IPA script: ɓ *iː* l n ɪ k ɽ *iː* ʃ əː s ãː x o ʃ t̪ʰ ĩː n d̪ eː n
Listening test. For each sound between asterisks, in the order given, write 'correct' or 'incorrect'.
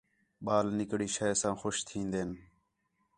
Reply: incorrect: aː, correct

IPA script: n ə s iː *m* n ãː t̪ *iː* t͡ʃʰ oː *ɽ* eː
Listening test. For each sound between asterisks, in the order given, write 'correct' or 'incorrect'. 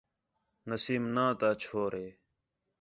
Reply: correct, incorrect: aː, incorrect: ɾ

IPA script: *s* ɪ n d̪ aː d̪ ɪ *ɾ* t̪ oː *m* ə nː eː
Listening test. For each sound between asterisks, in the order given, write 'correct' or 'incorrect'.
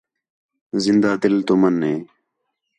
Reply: incorrect: z, incorrect: l, correct

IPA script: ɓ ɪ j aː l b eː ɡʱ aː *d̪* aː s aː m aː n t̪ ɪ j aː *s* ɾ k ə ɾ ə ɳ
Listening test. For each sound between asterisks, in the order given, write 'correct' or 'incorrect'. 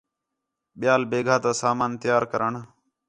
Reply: incorrect: t̪, incorrect: none

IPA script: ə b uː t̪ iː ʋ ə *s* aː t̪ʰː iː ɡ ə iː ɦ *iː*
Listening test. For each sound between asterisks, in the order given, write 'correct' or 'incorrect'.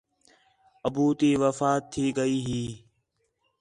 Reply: incorrect: f, correct

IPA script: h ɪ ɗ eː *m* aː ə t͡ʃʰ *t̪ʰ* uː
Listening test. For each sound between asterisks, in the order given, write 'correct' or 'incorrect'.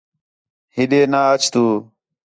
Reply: incorrect: n, incorrect: t̪

